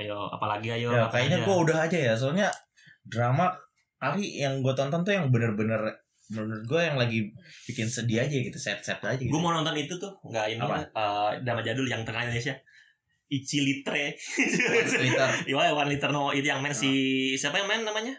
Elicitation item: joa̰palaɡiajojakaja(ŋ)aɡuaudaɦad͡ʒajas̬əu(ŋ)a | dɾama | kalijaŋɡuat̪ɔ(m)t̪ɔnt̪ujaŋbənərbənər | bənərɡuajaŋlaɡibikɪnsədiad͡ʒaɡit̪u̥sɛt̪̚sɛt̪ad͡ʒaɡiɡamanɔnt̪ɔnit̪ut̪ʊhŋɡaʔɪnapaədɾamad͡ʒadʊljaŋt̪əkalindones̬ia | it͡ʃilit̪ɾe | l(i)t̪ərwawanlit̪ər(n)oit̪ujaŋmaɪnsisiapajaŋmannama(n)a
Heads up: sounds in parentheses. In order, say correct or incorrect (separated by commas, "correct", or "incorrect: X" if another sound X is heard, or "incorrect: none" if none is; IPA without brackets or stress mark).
incorrect: ɲ, incorrect: ɲ, incorrect: n, correct, correct, incorrect: ɲ